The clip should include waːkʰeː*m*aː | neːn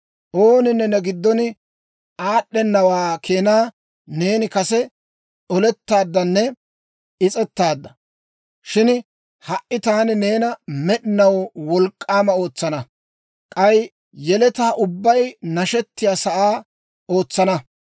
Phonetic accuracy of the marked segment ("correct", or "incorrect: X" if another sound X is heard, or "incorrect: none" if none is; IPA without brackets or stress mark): incorrect: n